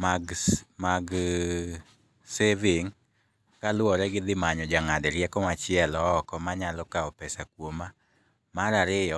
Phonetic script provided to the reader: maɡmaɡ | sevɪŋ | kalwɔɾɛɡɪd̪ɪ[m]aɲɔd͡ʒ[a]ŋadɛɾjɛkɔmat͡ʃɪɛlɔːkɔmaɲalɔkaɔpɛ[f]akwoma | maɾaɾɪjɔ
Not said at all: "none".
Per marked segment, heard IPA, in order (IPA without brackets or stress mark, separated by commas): m, a, s